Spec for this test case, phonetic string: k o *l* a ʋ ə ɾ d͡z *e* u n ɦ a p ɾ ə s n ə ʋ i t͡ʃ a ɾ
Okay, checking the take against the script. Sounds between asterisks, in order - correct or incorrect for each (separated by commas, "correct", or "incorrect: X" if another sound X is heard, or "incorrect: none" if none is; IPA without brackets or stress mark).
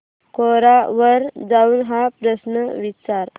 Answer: incorrect: ɾ, incorrect: a